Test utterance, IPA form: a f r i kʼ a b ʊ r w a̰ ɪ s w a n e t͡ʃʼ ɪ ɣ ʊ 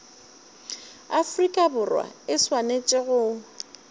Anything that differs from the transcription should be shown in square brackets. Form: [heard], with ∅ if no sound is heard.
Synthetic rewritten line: a f r i kʼ a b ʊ r w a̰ ɪ s w a n e t͡ʃʼ ɪ ɣ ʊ

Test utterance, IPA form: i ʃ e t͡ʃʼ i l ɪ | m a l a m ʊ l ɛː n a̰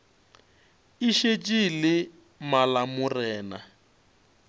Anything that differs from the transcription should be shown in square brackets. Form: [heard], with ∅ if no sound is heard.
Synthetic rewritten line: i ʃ e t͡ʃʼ i l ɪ | m a l a m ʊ [r] ɛː n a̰

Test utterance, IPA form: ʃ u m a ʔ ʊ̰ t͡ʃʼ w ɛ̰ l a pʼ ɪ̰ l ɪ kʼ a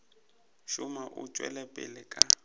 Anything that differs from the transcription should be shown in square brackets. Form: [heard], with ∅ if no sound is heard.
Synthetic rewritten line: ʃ [ʊ] m a ʔ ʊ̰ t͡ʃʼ w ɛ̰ l [ɛ] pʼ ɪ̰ l ɪ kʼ a

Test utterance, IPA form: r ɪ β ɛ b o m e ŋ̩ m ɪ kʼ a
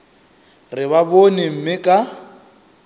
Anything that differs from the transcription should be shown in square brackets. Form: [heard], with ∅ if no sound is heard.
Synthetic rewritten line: r ɪ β [a] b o [n] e [m̩] m ɪ kʼ a

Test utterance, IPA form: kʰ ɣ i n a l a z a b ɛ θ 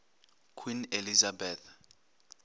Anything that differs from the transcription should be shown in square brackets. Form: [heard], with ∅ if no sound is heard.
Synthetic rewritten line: kʰ [w] i n [e] l [i] z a b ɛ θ

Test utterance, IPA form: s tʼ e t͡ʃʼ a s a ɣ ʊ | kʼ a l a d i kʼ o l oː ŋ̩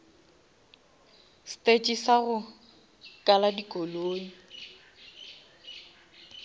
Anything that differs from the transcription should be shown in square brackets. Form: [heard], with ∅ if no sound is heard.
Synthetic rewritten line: s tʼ e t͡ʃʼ [i] s a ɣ ʊ | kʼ a l a d i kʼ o l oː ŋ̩

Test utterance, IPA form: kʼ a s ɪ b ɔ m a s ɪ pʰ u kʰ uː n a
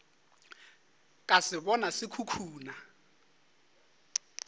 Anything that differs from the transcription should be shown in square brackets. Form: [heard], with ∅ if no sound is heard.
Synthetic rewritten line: kʼ a s ɪ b ɔ [n] a s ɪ [kʰ] u kʰ uː n a

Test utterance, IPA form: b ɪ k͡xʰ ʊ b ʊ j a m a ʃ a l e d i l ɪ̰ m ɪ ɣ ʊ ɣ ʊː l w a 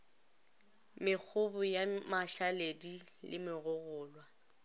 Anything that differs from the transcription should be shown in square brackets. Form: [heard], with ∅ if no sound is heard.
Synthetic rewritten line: [m] ɪ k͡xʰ ʊ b ʊ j a m a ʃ a l e d i l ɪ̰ m ɪ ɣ ʊ ɣ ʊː l w a

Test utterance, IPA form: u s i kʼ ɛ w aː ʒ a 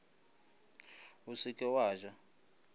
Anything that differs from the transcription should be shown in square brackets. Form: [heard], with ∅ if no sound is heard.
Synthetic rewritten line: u s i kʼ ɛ w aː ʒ a

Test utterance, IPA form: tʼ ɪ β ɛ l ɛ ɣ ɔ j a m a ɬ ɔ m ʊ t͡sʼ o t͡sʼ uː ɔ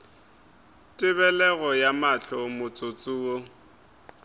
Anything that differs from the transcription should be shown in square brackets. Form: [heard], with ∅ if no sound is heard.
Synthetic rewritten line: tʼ ɪ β ɛ l ɛ ɣ ɔ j a m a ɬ ɔ m ʊ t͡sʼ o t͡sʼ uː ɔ

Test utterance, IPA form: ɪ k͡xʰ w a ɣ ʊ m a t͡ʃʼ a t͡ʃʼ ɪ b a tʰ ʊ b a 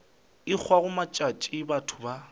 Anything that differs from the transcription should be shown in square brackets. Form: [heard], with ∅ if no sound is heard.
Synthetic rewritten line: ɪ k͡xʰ w a ɣ ʊ m a t͡ʃʼ a t͡ʃʼ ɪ b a tʰ ʊ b a

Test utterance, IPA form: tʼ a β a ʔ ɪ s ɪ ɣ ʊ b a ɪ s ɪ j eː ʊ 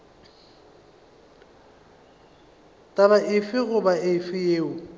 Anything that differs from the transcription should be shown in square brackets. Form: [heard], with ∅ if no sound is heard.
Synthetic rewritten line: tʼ a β a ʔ ɪ [f] ɪ ɣ ʊ b a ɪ [f] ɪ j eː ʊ

